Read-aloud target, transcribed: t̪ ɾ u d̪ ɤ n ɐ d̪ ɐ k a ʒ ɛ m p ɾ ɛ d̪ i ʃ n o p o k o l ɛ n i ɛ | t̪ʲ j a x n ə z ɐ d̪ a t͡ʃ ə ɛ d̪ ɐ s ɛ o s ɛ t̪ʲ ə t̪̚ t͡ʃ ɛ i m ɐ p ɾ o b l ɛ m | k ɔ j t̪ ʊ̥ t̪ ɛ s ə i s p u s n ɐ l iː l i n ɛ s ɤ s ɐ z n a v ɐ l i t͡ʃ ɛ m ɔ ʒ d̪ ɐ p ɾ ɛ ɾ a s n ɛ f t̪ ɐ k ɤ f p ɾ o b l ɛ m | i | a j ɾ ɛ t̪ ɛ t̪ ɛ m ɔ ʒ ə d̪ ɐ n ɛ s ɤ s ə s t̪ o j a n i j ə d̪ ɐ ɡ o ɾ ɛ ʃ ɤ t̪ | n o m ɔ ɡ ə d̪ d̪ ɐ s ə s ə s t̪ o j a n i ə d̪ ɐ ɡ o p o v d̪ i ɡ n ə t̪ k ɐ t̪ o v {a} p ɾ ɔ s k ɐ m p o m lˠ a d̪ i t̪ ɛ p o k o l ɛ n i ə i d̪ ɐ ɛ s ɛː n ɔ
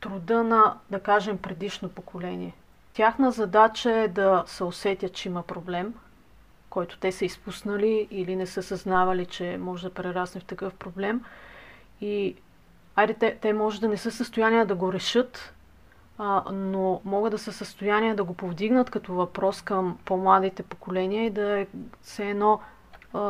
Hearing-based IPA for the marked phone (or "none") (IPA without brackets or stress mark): ɐ